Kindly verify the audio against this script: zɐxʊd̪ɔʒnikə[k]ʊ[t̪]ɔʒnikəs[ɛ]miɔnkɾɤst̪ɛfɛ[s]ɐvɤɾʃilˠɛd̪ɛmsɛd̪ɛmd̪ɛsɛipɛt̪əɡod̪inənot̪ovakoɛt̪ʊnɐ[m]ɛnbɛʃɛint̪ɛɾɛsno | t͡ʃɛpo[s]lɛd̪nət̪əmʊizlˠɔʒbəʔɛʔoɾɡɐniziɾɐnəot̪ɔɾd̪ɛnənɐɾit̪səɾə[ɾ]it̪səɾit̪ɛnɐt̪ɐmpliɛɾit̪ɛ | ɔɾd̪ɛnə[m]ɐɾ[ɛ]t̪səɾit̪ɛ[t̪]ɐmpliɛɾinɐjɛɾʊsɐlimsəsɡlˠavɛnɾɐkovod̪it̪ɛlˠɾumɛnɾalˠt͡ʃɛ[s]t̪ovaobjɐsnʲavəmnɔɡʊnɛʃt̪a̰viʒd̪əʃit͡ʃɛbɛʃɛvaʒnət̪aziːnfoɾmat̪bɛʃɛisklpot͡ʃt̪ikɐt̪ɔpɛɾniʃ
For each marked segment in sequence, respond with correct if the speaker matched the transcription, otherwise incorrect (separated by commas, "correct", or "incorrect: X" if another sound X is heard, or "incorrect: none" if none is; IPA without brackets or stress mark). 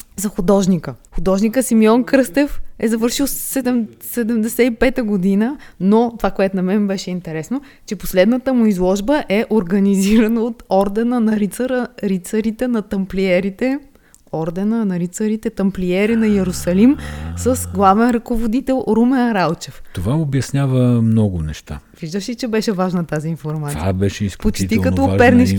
incorrect: x, incorrect: d̪, incorrect: i, incorrect: z, correct, correct, correct, incorrect: n, incorrect: i, correct, incorrect: f